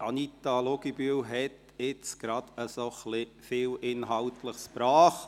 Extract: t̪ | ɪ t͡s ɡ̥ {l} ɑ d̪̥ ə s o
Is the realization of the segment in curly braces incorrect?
yes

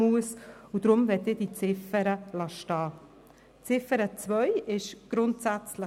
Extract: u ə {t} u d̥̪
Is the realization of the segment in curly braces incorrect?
yes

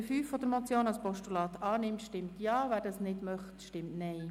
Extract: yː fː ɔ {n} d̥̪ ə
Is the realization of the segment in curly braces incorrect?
yes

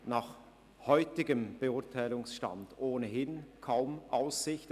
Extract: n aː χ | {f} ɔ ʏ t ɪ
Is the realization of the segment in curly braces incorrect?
yes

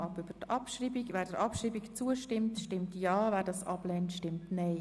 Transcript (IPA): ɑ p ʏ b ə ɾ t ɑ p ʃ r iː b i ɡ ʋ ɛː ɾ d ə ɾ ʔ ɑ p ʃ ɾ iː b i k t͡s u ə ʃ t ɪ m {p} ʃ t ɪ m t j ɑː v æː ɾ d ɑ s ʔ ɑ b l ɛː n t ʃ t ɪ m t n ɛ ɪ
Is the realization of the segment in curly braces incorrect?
yes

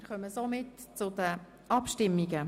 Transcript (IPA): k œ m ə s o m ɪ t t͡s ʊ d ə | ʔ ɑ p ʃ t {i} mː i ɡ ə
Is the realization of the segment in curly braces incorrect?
yes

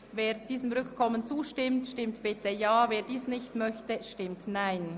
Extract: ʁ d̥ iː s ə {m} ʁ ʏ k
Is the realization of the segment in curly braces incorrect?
no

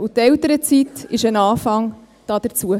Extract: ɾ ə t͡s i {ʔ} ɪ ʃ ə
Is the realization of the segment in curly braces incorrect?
yes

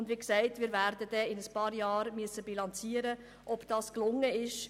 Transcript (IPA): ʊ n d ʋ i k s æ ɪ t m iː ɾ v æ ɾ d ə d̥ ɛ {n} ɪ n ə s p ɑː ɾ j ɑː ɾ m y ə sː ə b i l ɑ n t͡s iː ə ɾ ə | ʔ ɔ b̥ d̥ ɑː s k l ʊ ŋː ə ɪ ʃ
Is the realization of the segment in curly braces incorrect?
yes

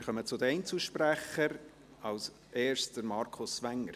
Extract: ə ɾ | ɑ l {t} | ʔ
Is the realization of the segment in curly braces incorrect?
yes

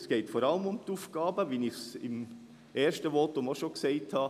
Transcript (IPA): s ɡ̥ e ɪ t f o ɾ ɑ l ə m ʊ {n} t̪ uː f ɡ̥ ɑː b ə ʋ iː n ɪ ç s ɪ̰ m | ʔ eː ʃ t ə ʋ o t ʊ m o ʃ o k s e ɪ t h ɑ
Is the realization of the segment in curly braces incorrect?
yes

